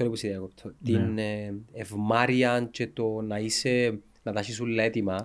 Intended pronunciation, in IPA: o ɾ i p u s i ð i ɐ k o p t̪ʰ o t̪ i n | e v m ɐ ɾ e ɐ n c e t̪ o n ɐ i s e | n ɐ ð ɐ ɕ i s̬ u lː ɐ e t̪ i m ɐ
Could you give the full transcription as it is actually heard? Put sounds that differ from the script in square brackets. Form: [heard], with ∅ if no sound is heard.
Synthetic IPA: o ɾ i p u s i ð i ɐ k o p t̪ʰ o t̪ i n | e v m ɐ ɾ [i] ɐ n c e t̪ o n ɐ i s e | n ɐ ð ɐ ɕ i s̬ u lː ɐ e t̪ i m ɐ